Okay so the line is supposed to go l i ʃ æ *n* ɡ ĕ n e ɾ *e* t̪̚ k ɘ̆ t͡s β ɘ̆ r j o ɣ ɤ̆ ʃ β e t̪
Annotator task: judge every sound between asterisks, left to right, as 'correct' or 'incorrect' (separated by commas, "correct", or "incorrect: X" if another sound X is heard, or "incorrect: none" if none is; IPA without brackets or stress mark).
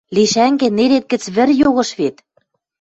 incorrect: ŋ, correct